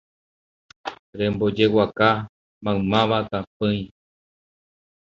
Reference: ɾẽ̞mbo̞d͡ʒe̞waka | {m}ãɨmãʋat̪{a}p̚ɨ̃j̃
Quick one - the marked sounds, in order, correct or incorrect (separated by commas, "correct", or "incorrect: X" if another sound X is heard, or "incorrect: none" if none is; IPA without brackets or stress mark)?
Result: correct, correct